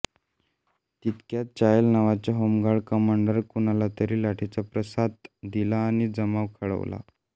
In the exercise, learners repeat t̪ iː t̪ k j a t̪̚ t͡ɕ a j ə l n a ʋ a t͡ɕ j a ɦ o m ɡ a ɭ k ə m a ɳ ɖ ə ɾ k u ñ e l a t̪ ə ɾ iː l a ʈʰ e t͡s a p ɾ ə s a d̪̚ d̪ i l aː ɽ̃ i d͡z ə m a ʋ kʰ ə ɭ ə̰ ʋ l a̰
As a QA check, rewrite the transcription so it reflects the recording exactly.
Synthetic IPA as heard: t̪ i t̪ k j a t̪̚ t͡ɕ a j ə l n a ʋ a t͡ɕ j a ɦ o m ɡ a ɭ k ə m a ɳ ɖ ə ɾ k u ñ a l a t̪ ə ɾ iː l a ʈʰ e t͡s a p ɾ ə s a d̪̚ d̪ i l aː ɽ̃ i d͡z ə m a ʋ kʰ ə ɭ ə̰ ʋ l a̰